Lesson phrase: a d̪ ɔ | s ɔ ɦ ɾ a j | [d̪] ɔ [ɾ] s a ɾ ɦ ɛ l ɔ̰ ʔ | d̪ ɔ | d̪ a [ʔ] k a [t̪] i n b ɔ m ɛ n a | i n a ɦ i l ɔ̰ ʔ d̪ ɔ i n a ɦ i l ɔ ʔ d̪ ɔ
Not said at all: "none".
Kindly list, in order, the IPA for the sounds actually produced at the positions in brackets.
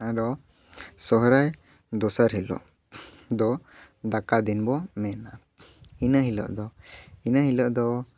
d̪, none, none, d̪

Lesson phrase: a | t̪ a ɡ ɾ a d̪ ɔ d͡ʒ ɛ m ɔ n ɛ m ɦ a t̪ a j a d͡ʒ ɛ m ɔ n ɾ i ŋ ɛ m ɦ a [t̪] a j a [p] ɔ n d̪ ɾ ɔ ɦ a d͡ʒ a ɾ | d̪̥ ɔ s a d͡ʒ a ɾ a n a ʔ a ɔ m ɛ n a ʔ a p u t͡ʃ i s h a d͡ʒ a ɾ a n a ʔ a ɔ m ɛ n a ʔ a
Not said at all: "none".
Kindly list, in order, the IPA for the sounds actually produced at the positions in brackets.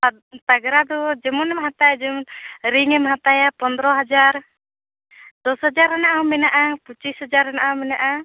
t̪, p

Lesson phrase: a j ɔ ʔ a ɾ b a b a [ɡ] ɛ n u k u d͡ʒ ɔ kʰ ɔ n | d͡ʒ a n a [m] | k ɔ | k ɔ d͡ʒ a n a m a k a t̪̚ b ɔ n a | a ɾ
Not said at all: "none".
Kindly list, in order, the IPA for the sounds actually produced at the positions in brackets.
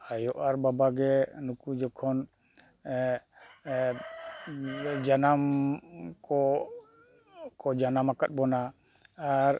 ɡ, m

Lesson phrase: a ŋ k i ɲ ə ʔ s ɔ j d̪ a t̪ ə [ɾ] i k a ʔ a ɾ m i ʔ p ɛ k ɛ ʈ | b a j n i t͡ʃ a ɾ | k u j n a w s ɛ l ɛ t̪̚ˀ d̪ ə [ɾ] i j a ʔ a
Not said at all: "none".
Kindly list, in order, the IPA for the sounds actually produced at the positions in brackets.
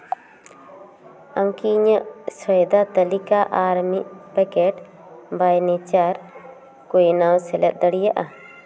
l, ɽ

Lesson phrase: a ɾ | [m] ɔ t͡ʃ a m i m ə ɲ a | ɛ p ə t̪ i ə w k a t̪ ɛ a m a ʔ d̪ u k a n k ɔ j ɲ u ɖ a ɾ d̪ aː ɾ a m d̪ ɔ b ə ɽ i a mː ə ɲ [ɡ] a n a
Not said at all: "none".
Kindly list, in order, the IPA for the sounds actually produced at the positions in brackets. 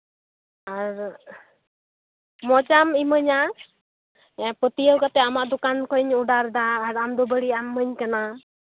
m, k

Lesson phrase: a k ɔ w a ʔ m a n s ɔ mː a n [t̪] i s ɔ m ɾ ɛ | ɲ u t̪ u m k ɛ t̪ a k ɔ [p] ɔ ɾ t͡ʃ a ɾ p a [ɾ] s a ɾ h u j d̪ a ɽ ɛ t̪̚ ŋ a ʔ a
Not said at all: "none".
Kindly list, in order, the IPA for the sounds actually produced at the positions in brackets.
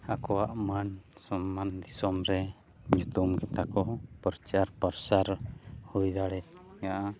d̪, p, ɾ

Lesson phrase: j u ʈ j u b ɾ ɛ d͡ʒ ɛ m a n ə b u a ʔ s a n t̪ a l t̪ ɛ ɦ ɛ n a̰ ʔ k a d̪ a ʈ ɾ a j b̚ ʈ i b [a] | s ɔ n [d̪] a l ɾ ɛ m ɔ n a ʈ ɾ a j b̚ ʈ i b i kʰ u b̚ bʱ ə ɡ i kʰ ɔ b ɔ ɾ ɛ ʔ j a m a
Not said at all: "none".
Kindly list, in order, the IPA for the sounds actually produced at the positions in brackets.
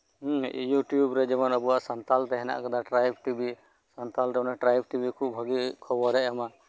i, t̪

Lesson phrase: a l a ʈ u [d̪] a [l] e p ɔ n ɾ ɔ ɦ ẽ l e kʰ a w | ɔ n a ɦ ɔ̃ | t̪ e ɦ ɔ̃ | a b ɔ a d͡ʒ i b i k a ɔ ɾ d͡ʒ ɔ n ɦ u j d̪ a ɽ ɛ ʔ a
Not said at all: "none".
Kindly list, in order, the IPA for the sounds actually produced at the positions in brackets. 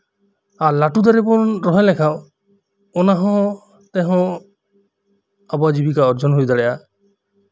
d̪, ɾ

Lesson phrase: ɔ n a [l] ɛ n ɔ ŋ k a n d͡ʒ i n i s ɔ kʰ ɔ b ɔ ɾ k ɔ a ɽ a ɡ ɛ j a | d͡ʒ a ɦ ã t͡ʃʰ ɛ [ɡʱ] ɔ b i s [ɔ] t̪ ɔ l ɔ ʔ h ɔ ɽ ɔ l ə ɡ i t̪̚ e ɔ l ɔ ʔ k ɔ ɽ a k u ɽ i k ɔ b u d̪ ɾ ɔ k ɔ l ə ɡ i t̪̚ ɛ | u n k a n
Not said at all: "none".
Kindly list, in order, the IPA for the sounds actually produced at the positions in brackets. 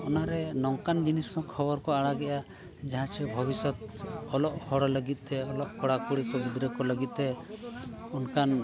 ɾ, bʱ, ɔ

